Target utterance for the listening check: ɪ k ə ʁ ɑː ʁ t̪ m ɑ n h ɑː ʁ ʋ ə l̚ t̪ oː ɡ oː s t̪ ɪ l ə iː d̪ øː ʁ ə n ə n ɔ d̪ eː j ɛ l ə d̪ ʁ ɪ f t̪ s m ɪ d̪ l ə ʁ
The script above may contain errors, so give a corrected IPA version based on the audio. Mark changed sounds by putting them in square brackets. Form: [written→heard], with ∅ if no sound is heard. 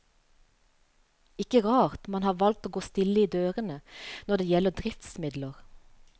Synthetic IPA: ɪ k ə ʁ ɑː ʁ t̪ m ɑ n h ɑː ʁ ʋ [ə→ɑ] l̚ t̪ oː ɡ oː s t̪ ɪ l ə iː d̪ øː ʁ ə n ə n ɔ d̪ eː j ɛ l ə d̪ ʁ ɪ f t̪ s m ɪ d̪ l ə ʁ